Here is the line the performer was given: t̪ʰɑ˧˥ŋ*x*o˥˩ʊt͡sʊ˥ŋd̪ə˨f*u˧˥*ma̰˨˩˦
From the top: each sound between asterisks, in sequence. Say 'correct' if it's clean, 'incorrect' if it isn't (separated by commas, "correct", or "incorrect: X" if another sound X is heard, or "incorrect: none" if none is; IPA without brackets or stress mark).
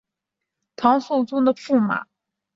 incorrect: s, incorrect: u˥˩